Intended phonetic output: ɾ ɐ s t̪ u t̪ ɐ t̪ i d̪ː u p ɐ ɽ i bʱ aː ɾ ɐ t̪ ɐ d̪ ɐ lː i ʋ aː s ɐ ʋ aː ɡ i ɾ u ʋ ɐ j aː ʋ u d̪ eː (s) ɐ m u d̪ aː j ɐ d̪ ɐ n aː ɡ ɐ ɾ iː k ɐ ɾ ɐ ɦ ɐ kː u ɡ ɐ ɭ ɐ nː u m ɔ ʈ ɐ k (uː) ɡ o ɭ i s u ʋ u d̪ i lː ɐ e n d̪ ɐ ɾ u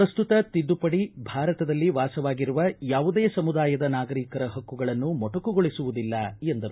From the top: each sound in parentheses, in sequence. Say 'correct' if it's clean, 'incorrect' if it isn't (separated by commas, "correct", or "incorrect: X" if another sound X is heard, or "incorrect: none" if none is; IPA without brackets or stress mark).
correct, incorrect: u